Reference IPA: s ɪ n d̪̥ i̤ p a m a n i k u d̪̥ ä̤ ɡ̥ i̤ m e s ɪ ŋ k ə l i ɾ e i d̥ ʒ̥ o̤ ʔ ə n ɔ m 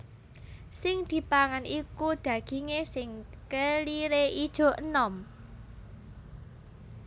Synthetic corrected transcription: s ɪ ŋ d̪̥ i̤ p a ŋ a n i k u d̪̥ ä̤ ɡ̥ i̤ ŋ e s ɪ ŋ k ə l i ɾ e i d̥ ʒ̥ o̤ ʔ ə n ɔ m